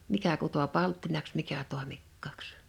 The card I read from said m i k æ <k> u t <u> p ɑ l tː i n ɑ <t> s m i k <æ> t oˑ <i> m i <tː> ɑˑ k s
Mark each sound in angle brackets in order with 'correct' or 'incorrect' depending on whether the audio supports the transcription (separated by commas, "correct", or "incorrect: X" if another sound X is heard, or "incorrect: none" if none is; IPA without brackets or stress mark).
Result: correct, incorrect: o, incorrect: k, correct, incorrect: e, incorrect: kː